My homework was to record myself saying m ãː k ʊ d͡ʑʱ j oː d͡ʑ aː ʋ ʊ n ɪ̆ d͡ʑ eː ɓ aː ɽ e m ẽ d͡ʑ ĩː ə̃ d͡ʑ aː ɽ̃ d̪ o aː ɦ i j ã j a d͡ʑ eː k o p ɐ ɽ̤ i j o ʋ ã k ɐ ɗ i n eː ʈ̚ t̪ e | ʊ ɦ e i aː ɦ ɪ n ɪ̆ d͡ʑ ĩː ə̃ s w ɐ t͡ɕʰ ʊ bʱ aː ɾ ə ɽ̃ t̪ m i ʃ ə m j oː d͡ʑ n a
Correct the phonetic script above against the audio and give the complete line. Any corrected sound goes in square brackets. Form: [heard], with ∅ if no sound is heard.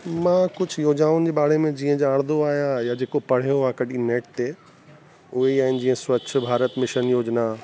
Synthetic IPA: m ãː k ʊ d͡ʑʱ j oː d͡ʑ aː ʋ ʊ n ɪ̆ d͡ʑ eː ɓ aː ɽ e m ẽ d͡ʑ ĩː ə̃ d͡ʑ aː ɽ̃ d̪ o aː ɦ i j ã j a d͡ʑ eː k o p ɐ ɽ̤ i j o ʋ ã k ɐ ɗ i n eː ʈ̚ t̪ e | ʊ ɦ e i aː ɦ ɪ n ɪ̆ d͡ʑ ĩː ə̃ s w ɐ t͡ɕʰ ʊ bʱ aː ɾ ə [∅] t̪ m [ɪ] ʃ ə [n] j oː d͡ʑ n a